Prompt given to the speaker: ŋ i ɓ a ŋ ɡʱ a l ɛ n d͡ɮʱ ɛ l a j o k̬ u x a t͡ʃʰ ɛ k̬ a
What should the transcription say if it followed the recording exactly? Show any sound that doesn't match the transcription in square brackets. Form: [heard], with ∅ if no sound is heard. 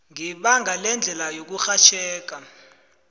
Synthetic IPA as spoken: ŋ i ɓ a ŋ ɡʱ a l ɛ n d͡ɮʱ ɛ l a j o k̬ u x a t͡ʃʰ [ɛː] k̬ a